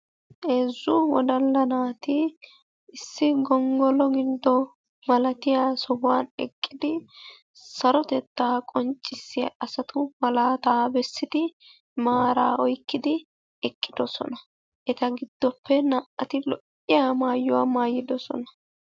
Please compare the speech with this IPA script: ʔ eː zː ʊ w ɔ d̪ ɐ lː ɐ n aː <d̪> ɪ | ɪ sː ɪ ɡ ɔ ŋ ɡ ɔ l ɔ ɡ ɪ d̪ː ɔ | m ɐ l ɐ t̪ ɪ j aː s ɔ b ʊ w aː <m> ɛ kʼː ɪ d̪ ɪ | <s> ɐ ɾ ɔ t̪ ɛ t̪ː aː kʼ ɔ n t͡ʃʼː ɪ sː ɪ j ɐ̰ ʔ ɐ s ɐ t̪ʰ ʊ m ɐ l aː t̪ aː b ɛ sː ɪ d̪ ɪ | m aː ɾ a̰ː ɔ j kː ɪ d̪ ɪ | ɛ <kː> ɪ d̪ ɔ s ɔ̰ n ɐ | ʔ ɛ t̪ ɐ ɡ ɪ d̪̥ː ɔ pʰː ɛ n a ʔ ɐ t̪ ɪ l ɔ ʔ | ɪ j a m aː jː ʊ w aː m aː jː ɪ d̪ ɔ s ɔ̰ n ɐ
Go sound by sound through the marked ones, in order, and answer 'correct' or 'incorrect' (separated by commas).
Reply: incorrect, incorrect, correct, incorrect